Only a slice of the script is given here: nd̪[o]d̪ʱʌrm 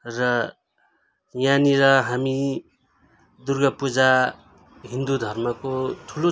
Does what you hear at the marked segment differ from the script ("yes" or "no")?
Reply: yes